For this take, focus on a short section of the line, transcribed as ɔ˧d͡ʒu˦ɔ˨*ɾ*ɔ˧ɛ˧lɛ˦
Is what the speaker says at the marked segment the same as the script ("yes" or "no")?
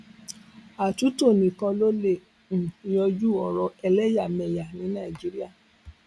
yes